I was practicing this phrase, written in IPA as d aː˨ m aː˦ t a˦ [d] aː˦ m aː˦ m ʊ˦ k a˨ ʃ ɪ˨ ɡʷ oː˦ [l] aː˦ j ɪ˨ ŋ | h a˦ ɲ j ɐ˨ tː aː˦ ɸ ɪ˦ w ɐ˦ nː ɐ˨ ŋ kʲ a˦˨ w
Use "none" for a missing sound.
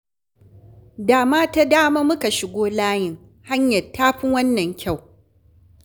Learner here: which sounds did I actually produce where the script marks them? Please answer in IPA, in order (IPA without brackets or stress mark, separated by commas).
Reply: d, l